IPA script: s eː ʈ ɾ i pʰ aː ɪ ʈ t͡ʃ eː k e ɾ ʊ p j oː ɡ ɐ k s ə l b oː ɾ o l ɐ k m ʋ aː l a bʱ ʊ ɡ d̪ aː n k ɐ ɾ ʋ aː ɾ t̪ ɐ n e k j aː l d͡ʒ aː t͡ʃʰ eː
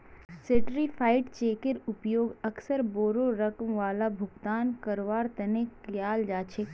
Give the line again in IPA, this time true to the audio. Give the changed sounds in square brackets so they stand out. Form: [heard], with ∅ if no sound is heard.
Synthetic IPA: s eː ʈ ɾ i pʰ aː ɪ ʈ t͡ʃ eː k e ɾ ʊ p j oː ɡ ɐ k s ə [ɾ] b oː ɾ o [ɾ] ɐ k m ʋ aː l a bʱ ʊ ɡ [t̪] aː n k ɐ ɾ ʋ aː ɾ t̪ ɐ n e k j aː l d͡ʒ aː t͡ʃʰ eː